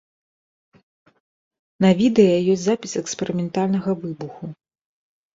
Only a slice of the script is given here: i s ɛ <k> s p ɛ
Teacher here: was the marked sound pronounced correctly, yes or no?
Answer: yes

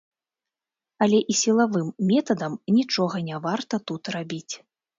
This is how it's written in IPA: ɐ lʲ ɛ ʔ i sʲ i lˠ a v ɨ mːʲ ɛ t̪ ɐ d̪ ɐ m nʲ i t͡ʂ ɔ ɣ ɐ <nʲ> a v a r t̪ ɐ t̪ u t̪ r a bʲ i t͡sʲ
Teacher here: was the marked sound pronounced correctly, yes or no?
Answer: yes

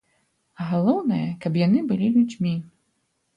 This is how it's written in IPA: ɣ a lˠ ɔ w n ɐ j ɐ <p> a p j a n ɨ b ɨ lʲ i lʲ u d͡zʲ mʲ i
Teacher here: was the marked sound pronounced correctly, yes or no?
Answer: no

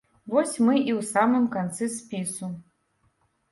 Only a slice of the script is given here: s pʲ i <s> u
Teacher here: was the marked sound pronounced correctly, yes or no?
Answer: yes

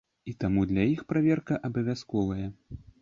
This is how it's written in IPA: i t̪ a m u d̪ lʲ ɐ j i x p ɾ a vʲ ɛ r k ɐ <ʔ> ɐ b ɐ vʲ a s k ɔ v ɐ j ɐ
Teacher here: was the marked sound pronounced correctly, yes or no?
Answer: yes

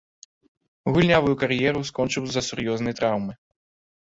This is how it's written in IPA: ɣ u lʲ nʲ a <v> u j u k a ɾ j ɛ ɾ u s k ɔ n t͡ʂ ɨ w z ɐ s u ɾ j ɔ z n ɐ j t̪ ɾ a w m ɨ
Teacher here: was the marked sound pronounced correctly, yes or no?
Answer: yes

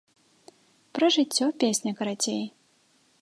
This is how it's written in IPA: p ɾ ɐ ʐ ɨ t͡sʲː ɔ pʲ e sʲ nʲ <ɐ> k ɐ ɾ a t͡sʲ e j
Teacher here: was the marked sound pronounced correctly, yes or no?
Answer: yes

